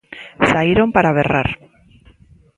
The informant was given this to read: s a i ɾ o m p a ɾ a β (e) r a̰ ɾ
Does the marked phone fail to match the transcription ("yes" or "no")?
no